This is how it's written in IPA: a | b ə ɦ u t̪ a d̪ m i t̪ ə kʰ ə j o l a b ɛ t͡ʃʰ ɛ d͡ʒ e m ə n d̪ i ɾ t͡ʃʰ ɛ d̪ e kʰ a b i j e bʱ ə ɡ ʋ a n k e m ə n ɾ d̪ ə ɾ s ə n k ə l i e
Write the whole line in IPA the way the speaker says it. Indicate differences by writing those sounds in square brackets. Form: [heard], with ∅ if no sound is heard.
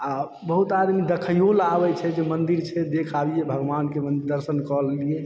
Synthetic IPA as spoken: a | b ə ɦ u t̪ a d̪ m i [d̪] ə kʰ ə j o l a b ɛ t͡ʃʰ ɛ d͡ʒ e m ə n d̪ i ɾ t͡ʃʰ ɛ d̪ e kʰ a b i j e bʱ ə ɡ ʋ a n k e m ə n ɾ d̪ ə ɾ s ə n k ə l i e